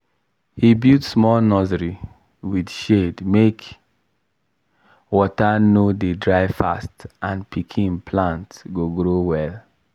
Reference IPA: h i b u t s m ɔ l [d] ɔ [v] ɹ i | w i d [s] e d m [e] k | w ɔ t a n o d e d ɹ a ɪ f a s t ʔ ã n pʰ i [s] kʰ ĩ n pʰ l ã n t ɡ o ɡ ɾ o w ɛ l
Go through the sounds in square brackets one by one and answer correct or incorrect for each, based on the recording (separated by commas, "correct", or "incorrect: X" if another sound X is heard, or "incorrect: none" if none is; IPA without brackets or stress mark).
incorrect: n, incorrect: z, incorrect: ʃ, correct, incorrect: none